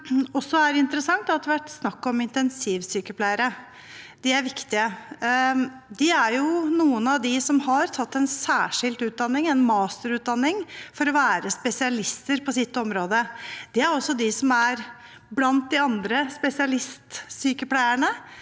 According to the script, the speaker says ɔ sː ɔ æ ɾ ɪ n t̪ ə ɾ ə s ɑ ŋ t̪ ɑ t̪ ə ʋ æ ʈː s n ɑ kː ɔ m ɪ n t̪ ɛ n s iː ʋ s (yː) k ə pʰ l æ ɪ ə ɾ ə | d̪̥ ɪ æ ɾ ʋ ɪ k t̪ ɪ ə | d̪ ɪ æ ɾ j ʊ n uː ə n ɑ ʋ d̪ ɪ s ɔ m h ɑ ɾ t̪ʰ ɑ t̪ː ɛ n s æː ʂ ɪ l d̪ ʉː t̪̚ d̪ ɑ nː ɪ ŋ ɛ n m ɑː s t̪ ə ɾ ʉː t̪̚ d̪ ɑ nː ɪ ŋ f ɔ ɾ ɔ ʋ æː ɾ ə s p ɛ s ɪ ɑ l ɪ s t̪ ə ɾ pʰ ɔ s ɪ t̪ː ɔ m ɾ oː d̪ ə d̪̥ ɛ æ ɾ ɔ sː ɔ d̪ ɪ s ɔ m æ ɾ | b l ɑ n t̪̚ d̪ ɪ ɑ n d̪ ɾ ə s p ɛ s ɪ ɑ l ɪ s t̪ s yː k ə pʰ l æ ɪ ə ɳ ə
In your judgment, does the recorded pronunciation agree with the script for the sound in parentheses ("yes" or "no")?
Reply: yes